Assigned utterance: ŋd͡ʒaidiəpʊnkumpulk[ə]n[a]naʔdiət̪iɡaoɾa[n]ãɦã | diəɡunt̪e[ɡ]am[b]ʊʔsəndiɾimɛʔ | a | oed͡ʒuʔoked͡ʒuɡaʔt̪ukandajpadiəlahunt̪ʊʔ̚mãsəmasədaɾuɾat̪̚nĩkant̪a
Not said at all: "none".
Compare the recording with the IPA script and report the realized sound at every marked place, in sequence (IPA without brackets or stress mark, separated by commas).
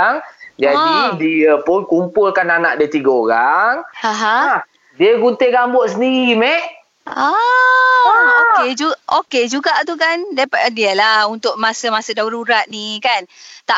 a, a, ŋ, ɡ, b